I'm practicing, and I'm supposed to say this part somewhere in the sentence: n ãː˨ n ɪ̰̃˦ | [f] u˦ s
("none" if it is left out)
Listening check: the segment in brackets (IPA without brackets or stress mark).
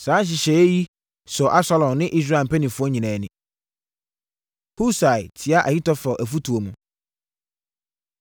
h